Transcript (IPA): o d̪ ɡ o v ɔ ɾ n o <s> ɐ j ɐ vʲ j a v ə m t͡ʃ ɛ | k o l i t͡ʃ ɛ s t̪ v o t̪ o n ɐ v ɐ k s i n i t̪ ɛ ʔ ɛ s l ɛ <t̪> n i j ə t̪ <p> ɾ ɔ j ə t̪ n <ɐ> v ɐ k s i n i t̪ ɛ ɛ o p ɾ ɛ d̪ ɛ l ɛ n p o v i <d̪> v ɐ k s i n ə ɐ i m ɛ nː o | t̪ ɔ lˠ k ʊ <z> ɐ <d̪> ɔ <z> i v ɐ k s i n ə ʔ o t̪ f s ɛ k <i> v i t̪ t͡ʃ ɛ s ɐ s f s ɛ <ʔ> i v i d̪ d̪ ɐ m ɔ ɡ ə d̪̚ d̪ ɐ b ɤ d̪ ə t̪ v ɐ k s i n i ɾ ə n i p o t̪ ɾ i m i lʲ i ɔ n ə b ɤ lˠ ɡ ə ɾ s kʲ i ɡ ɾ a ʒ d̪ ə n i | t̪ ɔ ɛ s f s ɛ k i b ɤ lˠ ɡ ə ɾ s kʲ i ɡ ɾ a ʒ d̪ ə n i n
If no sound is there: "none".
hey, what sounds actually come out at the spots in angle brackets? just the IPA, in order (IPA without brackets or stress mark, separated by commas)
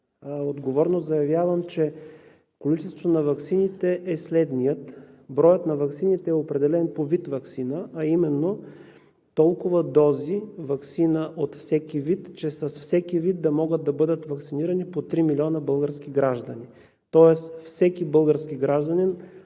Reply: z, d̪, b, ɐ, t̪, v, d̪, z, i, k